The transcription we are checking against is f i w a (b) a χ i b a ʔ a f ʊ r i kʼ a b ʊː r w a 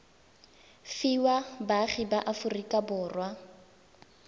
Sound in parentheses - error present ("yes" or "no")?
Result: no